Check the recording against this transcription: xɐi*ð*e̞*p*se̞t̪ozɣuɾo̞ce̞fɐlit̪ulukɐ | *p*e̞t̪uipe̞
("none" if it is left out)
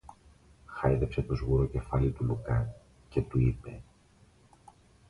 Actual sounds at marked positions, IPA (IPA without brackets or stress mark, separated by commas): ð, p, c